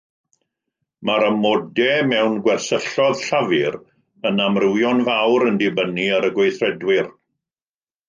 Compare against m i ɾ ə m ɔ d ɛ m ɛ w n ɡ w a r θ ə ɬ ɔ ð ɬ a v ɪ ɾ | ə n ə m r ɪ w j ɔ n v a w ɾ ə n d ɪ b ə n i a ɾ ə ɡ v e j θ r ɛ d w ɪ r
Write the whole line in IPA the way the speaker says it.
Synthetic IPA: m a ɾ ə m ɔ d ɛ m ɛ w n ɡ w ɛ r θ ə ɬ ɔ ð ɬ a v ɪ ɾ | ə n a m r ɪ w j ɔ n v a w ɾ ə n d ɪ b ə n i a ɾ ə ɡ w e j θ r ɛ d w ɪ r